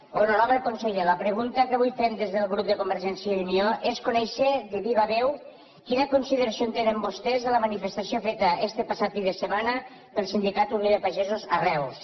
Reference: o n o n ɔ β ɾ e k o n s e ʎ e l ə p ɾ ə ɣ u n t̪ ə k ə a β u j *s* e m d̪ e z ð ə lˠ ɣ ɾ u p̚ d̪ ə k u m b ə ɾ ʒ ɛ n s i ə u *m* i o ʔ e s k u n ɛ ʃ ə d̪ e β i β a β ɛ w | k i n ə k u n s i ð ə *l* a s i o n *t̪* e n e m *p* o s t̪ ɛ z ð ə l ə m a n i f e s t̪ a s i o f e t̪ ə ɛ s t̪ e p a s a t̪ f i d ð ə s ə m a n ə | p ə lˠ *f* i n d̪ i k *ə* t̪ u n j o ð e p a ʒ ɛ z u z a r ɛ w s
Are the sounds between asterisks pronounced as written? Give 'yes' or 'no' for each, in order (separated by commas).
no, no, no, yes, no, no, no